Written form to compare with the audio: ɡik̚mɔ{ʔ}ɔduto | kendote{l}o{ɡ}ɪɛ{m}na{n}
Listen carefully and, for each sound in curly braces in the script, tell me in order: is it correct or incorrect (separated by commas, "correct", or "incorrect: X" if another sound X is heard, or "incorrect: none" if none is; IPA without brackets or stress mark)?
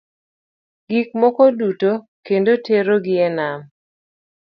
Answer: incorrect: k, incorrect: ɾ, correct, incorrect: none, incorrect: m